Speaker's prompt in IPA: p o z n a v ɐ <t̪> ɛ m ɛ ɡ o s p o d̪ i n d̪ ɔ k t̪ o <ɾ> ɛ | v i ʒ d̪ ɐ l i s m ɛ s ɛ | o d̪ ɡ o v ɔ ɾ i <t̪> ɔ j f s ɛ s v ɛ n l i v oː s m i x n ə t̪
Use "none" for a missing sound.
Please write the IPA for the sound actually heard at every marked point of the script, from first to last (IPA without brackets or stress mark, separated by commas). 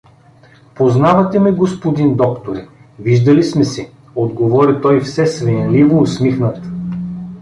t̪, ɾ, t̪